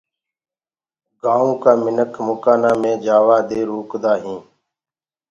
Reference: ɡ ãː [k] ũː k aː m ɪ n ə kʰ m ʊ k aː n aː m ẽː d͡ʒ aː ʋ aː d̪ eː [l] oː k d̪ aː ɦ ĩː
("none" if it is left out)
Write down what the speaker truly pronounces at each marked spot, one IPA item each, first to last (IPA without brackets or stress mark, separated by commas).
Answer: none, ɾ